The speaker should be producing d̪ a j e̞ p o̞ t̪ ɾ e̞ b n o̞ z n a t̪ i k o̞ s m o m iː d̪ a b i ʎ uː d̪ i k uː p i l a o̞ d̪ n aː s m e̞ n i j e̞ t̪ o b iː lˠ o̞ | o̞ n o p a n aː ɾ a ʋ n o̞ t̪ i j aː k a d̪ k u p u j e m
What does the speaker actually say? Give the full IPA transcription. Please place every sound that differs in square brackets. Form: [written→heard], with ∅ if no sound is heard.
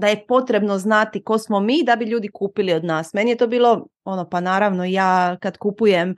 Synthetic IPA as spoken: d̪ a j e̞ p o̞ t̪ ɾ e̞ b n o̞ z n a t̪ i k o̞ s m o m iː d̪ a b i ʎ uː d̪ i k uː p i l [a→i] o̞ d̪ n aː s m e̞ n i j e̞ t̪ o b iː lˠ o̞ | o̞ n o p a n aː ɾ a ʋ n o̞ [t̪→∅] i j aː k a d̪ k u p u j e m